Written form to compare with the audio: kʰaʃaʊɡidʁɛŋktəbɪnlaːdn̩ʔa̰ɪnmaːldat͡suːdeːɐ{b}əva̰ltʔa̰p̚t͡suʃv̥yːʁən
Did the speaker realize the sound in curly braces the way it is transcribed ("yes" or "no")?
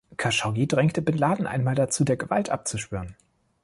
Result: no